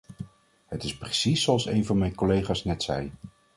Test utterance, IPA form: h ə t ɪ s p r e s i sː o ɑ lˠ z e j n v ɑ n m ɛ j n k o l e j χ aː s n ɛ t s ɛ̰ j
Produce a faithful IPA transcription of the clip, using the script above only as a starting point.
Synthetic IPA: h ə t ɪ s p r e s i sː o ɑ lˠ s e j n v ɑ n m ɛ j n k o l e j χ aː s n ɛ t s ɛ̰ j